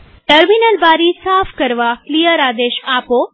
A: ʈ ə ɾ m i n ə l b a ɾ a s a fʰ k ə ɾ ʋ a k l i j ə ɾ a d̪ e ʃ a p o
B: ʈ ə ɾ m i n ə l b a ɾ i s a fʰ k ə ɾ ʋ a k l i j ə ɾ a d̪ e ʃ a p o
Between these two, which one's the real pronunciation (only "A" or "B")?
B